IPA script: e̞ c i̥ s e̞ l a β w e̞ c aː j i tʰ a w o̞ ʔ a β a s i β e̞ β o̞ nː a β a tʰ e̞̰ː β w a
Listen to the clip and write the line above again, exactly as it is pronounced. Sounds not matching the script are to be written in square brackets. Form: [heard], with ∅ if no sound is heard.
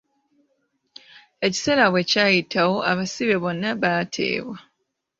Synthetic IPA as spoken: e̞ c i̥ s e̞ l a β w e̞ c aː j i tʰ a w o̞ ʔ a β a s i β e̞ β o̞ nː a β a tʰ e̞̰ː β w a